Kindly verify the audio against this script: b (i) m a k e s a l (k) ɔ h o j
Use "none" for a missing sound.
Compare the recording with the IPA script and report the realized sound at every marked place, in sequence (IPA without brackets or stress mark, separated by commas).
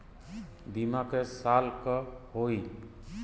i, k